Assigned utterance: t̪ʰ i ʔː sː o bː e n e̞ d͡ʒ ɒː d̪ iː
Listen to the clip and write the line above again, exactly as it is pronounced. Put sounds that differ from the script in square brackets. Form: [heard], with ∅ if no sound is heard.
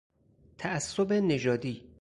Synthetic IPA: t̪ʰ [æ] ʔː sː o [b] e n e̞ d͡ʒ ɒː d̪ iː